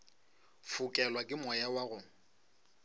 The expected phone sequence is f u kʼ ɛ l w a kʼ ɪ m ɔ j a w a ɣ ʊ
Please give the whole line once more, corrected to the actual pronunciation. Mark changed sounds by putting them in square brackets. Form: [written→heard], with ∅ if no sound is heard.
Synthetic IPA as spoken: f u kʼ ɛ l w a kʼ ɪ m ɔ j a w a ɣ ʊ